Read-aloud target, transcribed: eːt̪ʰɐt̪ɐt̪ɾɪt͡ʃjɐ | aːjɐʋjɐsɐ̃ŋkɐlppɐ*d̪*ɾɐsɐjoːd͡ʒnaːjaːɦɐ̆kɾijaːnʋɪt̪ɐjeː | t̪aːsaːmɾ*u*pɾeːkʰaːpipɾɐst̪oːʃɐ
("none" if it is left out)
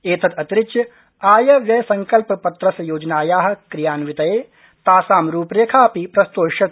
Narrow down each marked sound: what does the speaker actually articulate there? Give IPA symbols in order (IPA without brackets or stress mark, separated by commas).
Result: t̪, uː